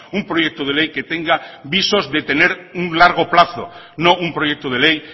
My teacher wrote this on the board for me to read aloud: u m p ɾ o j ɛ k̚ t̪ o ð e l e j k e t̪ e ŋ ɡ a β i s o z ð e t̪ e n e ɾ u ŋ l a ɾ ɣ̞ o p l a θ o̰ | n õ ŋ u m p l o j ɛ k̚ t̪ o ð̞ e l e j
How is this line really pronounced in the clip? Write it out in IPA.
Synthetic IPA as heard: u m p ɾ o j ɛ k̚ t̪ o ð e l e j k e t̪ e ŋ ɡ a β i s o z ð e t̪ e n e ɾ u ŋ l a ɾ ɣ̞ o p l a θ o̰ | n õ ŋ u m p ɾ o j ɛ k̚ t̪ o ð̞ e l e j